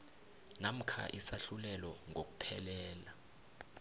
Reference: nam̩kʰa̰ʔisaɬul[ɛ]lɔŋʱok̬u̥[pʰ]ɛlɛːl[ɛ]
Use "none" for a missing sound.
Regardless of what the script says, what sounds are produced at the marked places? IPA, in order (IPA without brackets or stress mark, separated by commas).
ɛ, pʰ, a